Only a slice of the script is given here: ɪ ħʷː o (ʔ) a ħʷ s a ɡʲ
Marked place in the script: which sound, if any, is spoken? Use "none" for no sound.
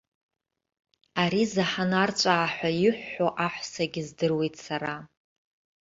ʔ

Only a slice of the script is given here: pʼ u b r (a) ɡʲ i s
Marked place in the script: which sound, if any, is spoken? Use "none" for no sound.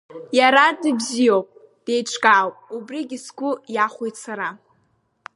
i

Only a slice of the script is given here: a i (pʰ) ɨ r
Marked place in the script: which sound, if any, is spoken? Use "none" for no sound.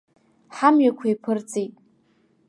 pʰ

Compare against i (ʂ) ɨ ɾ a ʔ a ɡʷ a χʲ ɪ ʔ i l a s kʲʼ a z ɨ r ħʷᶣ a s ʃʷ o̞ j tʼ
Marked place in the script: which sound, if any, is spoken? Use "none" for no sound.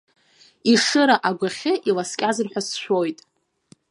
ʂ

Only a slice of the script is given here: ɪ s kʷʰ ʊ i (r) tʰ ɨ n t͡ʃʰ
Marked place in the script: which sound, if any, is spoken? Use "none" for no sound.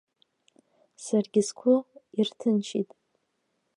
r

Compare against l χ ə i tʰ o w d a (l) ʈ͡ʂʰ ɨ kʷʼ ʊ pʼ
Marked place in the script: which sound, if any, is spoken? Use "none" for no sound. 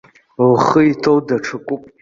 none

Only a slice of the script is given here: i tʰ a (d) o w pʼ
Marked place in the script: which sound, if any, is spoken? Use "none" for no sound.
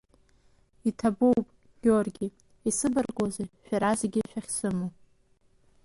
b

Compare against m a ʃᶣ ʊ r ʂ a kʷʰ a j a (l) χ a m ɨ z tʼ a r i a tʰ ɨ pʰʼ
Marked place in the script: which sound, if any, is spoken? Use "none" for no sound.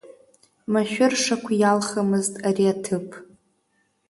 l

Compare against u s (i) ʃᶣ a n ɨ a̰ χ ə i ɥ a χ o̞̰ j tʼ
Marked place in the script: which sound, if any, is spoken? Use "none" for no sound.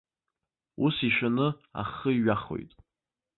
i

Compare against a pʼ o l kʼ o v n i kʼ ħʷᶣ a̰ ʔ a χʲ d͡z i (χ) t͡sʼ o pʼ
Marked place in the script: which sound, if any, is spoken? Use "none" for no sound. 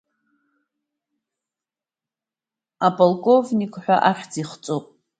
χ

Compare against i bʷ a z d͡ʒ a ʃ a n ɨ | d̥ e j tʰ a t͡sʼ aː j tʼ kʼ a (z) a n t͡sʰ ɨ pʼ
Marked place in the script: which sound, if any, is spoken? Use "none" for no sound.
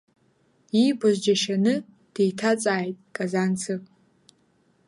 z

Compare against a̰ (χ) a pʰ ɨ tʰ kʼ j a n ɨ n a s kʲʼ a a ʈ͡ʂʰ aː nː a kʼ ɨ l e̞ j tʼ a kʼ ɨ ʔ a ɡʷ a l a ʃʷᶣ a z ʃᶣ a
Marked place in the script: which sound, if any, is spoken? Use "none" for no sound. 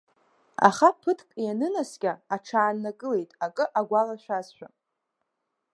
χ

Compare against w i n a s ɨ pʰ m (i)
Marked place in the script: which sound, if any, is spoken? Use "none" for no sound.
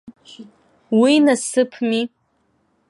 i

